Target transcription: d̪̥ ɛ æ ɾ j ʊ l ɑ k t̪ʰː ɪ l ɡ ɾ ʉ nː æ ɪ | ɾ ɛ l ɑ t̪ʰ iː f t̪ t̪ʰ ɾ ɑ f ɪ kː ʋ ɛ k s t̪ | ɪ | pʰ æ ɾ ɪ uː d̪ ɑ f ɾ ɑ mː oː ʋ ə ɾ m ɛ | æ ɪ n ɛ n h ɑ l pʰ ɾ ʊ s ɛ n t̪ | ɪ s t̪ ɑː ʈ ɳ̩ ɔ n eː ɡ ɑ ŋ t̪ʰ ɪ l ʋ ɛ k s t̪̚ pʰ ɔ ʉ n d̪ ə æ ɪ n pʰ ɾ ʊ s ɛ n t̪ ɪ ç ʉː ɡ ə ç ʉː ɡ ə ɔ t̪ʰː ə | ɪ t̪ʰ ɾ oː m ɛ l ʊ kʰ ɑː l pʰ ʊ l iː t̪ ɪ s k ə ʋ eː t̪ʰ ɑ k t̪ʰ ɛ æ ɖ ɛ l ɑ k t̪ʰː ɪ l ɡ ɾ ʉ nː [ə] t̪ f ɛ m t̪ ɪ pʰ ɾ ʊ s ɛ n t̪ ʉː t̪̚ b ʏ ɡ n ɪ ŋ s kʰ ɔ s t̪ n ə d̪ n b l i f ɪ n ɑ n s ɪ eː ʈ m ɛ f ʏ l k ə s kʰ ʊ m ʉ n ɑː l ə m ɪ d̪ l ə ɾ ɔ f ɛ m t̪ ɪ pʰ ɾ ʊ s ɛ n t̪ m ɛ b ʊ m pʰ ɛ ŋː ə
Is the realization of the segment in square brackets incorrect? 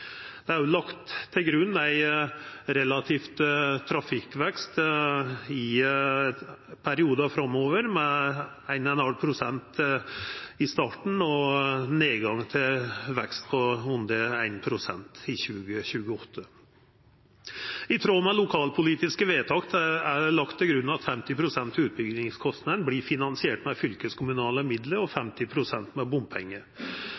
yes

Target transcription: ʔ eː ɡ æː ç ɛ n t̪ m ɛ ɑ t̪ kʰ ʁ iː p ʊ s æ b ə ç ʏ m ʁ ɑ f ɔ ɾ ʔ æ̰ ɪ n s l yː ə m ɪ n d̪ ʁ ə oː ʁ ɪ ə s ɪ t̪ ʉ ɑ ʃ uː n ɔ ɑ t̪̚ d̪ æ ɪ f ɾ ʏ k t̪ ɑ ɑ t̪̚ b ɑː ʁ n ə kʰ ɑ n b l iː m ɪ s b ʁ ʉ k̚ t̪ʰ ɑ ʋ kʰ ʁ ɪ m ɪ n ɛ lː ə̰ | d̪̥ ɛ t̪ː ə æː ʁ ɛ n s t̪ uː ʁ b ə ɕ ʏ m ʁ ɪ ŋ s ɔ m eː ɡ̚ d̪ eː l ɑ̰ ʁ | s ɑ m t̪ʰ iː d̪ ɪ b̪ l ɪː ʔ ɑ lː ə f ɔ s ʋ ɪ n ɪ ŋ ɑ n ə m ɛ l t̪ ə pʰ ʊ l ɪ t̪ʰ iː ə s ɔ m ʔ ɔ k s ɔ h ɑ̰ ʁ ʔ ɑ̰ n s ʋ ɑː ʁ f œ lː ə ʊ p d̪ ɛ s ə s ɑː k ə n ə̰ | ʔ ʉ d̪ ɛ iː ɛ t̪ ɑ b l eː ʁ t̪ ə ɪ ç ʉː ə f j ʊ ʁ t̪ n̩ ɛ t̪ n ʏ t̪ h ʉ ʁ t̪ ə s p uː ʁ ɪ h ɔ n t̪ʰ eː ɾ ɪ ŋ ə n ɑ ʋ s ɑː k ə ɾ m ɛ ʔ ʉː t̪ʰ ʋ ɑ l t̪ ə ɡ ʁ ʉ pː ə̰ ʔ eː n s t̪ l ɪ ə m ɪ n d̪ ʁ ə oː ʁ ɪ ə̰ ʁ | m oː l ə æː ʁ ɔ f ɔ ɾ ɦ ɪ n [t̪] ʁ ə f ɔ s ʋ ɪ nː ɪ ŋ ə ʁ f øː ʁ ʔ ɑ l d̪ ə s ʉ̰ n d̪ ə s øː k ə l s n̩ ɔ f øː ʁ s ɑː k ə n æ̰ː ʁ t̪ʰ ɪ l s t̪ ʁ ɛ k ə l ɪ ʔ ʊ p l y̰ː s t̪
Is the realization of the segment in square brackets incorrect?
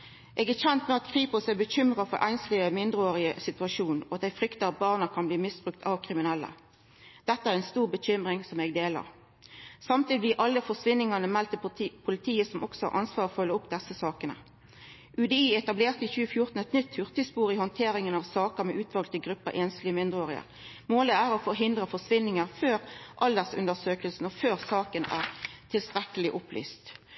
yes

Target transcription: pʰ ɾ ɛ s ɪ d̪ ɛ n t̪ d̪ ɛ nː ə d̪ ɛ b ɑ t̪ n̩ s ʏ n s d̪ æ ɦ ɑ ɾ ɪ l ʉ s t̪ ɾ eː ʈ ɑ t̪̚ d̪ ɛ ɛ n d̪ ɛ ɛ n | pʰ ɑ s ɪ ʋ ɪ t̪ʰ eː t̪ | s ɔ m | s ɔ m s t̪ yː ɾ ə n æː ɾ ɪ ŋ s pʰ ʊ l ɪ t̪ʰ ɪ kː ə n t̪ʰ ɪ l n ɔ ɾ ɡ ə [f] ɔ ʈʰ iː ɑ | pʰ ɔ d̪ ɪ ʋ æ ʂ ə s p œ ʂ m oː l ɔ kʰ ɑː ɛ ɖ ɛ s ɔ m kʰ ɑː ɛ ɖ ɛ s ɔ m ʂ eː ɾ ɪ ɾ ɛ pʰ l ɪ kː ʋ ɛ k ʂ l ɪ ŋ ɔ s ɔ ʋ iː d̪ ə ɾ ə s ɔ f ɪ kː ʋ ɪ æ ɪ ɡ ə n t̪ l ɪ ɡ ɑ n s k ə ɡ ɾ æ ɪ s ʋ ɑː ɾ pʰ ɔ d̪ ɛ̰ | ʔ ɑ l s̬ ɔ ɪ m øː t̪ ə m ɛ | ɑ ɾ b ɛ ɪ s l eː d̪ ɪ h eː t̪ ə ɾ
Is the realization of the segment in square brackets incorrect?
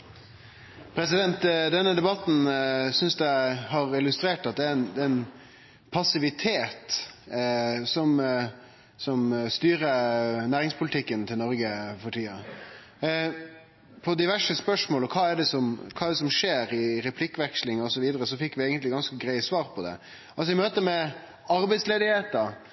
no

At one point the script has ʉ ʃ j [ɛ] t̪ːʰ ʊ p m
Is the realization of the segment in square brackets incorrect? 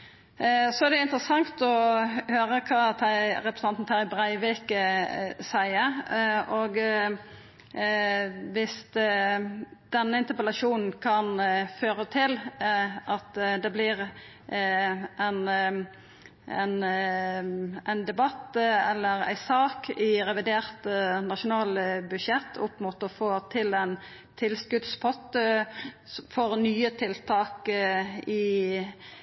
no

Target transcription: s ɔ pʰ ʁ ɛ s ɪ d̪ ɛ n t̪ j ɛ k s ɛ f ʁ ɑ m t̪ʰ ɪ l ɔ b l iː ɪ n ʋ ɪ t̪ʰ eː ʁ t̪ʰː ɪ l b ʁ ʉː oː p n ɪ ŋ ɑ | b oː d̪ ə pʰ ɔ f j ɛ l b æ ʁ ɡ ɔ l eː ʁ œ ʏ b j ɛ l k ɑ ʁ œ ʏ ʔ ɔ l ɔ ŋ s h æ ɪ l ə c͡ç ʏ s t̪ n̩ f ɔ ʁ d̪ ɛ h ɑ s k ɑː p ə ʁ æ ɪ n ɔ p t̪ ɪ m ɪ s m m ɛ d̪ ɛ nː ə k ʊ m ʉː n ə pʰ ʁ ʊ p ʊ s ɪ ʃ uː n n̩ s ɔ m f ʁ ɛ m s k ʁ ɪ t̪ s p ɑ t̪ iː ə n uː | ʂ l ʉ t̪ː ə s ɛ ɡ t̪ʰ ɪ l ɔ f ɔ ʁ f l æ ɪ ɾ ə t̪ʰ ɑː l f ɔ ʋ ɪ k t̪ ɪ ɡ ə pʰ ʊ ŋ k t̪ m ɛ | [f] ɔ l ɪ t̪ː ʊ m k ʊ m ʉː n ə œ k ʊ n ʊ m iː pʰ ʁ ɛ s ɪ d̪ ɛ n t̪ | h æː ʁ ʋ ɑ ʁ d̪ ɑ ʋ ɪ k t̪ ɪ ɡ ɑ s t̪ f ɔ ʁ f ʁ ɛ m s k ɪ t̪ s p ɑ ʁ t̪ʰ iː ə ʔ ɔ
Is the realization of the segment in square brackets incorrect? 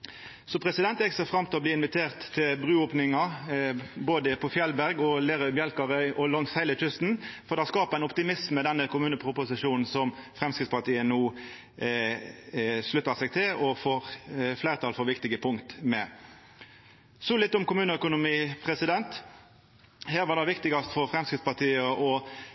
yes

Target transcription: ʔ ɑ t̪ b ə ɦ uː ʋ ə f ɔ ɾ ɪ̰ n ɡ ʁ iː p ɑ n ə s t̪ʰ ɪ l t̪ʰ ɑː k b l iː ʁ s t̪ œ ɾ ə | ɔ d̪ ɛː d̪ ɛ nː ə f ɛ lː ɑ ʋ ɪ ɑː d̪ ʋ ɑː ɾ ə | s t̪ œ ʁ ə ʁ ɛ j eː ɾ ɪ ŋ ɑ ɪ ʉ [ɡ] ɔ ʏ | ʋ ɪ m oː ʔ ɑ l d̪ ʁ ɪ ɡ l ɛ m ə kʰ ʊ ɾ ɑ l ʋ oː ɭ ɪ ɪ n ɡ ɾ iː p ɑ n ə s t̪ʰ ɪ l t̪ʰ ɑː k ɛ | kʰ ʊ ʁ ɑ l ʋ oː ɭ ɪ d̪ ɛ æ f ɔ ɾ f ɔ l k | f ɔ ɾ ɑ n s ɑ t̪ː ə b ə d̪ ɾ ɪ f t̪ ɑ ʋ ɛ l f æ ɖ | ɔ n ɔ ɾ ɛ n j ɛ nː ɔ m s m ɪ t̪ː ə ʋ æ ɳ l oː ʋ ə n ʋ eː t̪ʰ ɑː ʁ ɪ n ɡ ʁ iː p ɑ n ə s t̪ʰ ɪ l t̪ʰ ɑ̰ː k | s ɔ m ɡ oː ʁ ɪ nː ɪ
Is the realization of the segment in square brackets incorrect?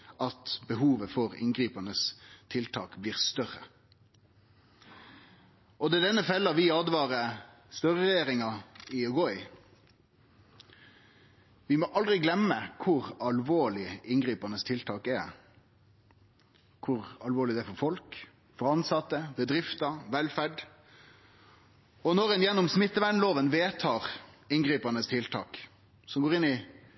no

